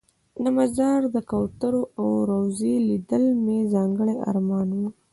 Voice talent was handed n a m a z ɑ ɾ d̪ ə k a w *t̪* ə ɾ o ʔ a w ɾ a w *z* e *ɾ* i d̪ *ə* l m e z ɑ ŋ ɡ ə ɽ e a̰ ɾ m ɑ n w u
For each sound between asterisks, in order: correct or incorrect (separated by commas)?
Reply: correct, correct, incorrect, correct